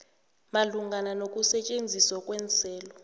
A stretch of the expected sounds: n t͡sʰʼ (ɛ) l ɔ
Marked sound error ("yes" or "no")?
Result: yes